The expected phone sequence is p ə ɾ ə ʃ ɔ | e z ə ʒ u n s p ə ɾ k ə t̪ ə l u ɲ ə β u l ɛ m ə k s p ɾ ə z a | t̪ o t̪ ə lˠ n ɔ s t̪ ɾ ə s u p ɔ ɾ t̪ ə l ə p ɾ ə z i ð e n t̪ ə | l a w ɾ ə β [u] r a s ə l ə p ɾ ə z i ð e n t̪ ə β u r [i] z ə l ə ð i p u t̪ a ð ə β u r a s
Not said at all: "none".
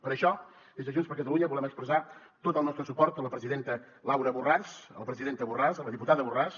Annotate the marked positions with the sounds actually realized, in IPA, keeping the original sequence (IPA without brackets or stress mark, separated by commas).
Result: u, a